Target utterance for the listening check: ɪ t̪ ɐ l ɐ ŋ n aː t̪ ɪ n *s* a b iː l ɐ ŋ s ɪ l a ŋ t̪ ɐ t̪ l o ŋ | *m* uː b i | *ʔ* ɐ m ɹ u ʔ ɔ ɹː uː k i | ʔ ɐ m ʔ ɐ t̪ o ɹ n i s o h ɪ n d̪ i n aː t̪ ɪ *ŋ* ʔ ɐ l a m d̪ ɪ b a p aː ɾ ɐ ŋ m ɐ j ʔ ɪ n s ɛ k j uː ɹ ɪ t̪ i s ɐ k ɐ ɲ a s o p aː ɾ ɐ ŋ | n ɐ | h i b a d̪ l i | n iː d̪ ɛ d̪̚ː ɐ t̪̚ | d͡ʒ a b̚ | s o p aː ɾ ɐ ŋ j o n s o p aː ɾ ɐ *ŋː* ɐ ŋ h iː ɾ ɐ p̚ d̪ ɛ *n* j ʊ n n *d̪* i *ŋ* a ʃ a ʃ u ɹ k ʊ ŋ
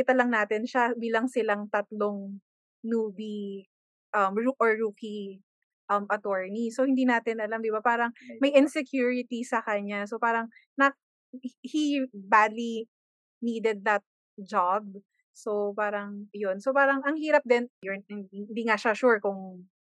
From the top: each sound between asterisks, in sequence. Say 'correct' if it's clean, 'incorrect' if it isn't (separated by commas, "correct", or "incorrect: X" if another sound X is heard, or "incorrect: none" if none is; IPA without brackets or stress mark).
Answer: incorrect: ʃ, incorrect: n, correct, incorrect: n, incorrect: ŋ, correct, correct, correct